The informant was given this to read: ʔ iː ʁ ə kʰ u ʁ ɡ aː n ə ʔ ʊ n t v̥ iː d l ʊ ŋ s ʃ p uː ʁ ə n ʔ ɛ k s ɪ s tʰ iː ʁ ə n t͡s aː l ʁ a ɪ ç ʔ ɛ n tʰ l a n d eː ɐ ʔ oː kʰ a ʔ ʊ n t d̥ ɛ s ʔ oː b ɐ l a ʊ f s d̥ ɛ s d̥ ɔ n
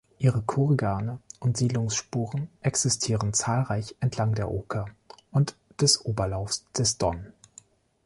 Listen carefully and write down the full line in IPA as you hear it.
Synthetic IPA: ʔ iː ʁ ə kʰ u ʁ ɡ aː n ə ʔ ʊ n t z̥ iː d l ʊ ŋ s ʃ p uː ʁ ə n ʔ ɛ k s ɪ s tʰ iː ʁ ə n t͡s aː l ʁ a ɪ ç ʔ ɛ n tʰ l a ŋ d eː ɐ ʔ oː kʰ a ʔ ʊ n t d̥ ɛ s ʔ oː b ɐ l a ʊ f s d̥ ɛ s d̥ ɔ n

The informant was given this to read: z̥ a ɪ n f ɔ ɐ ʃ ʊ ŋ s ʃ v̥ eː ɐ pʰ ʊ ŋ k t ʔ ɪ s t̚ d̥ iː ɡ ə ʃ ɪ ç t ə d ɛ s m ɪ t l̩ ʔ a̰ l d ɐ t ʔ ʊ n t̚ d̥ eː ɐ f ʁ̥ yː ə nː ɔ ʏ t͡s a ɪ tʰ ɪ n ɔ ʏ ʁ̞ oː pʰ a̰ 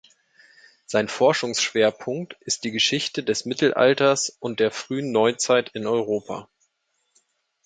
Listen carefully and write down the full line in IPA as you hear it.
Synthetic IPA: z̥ a ɪ n f ɔ ɐ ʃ ʊ ŋ s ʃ v̥ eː ɐ pʰ ʊ ŋ k t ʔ ɪ s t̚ d̥ iː ɡ ə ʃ ɪ ç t ə d ɛ s m ɪ t l̩ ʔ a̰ l t ɐ s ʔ ʊ n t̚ d̥ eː ɐ f ʁ̥ yː ə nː ɔ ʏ t͡s a ɪ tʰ ɪ n ɔ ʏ ʁ̞ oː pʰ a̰

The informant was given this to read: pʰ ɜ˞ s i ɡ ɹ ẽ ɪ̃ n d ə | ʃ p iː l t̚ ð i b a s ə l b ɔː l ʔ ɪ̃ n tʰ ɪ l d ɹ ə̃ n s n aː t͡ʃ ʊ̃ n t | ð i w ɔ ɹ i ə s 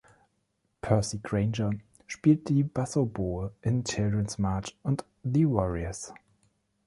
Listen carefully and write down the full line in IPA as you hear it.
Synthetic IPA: pʰ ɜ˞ s i ɡ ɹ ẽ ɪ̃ n d͡ʒ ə | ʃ p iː l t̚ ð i b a s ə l b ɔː l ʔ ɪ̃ n tʰ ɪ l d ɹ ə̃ n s m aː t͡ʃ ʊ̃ n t | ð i w ɔ ɹ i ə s

